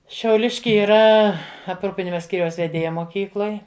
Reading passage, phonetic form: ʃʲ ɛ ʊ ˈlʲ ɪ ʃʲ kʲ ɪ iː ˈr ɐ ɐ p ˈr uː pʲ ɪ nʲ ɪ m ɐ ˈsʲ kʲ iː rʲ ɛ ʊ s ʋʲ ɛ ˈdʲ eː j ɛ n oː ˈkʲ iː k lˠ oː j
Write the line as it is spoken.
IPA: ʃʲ ɛ ʊ ˈlʲ ɪ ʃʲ kʲ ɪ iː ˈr ɐ ɐ p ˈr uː pʲ ɪ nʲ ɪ m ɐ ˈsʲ kʲ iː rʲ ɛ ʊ s ʋʲ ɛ ˈdʲ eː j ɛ m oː ˈkʲ iː k lˠ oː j